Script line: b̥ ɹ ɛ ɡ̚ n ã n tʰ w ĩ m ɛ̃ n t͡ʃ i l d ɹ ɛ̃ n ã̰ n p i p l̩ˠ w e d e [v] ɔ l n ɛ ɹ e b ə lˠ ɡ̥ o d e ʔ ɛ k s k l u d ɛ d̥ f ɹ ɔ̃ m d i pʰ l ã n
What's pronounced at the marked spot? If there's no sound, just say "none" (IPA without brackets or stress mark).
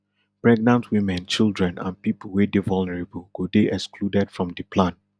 v